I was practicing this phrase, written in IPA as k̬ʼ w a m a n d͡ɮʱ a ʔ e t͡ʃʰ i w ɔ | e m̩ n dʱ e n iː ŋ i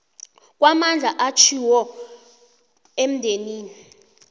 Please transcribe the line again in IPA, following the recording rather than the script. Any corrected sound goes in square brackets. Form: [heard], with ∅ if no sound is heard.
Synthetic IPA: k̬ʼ w a m a n d͡ɮʱ a ʔ [a] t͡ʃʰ i w ɔ | e m̩ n dʱ e n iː [n] i